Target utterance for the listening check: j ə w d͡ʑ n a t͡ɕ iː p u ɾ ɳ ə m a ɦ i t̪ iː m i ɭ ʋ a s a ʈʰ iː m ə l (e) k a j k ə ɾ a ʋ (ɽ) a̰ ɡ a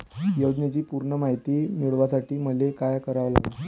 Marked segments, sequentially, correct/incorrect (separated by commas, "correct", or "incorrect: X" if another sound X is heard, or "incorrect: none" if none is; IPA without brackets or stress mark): correct, incorrect: l